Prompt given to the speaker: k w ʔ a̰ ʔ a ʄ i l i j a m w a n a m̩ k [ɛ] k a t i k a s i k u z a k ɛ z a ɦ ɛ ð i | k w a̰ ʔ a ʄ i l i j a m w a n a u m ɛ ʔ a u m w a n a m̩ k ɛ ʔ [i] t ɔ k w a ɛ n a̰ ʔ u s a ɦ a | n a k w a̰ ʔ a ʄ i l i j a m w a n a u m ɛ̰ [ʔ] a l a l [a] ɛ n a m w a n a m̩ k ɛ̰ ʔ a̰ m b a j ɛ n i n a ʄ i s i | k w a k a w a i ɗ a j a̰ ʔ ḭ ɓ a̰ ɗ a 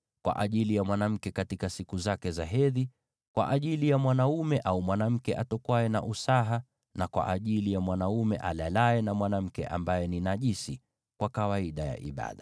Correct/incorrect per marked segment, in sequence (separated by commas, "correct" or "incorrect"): correct, incorrect, correct, correct